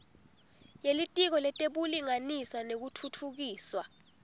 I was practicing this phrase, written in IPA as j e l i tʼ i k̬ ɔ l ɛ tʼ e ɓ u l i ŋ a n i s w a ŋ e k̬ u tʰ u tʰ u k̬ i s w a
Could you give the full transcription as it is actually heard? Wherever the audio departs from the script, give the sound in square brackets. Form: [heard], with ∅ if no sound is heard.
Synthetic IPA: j e l i tʼ i k̬ ɔ l ɛ tʼ e ɓ u l i ŋ a n i s w a [n] e k̬ u tʰ u tʰ u k̬ [iː] s w a

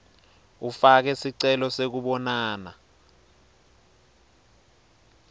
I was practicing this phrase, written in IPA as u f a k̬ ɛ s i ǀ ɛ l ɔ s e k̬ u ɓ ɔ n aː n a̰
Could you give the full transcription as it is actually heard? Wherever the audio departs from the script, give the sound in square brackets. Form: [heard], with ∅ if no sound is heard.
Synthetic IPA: u f a k̬ ɛ s i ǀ ɛ l ɔ s e k̬ u ɓ ɔ n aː n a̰

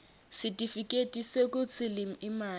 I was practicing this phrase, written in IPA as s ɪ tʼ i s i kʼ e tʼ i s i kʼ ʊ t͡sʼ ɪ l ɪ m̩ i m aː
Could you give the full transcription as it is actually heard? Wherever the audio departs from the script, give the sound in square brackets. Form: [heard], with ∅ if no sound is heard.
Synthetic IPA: s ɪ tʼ i [f] i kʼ e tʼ i s [e] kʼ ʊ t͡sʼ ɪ l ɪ m̩ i m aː

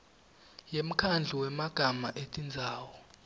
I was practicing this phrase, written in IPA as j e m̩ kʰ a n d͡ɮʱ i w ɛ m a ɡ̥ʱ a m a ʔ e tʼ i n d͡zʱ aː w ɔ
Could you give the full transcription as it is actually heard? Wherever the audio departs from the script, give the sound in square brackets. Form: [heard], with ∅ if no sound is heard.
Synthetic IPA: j e m̩ kʰ a n d͡ɮʱ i w ɛ m a ɡ̥ʱ a m a ʔ e tʼ i n d͡zʱ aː w ɔ

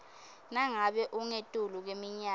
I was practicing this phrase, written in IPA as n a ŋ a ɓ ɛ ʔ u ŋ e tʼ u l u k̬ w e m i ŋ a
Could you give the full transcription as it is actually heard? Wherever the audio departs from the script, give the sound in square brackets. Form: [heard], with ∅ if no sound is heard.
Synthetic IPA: n a ŋ a ɓ ɛ ʔ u ŋ e tʼ u l u k̬ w e m i [ɲ] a

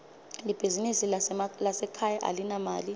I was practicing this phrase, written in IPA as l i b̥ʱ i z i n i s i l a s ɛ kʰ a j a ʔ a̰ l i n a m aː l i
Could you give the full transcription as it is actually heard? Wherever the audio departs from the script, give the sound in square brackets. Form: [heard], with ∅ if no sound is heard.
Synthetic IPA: l i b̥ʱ i z i n i s i l a s ɛ kʰ a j a ʔ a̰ l i n a m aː l i

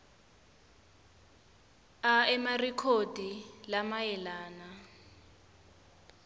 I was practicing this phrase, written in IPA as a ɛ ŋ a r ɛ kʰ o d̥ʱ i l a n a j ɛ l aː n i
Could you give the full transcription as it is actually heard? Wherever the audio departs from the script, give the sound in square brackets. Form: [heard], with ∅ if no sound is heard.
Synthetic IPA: a ɛ [m] a r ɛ kʰ o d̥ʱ i l a [m] a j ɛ l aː n [a]

